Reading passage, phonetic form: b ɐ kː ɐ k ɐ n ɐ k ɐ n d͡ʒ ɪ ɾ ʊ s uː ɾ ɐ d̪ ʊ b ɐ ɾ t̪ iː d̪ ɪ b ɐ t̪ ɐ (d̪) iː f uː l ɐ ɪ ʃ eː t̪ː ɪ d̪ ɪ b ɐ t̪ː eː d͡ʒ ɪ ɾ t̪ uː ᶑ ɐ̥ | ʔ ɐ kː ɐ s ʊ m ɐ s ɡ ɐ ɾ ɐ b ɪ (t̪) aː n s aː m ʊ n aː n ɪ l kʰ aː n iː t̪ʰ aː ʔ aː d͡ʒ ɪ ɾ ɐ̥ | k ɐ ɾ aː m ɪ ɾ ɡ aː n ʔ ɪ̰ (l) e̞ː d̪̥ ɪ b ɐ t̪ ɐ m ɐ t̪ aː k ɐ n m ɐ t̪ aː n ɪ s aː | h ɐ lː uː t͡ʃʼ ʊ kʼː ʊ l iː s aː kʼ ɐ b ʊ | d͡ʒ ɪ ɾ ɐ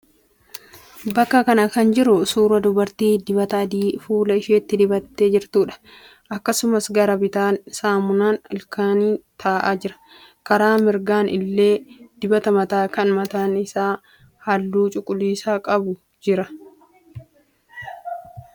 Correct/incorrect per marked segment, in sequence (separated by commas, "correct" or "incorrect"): correct, correct, incorrect